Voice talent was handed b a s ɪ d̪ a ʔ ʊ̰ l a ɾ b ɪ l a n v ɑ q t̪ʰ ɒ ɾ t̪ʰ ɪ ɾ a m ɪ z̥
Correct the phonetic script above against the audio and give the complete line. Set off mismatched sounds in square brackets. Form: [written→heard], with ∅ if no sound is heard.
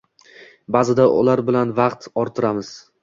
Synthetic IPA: b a [s→z] ɪ d̪ a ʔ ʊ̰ l a ɾ b ɪ l a n v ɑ q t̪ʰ ɒ ɾ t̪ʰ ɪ ɾ a m ɪ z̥